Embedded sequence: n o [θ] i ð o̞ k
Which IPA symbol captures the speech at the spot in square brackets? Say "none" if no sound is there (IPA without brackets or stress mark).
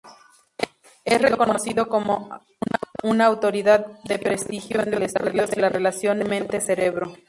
s